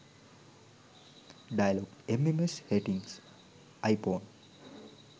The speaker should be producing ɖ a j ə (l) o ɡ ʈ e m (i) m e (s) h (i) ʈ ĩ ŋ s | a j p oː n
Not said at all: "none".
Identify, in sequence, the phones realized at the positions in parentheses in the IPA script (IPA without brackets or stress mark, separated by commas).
l, e, s, e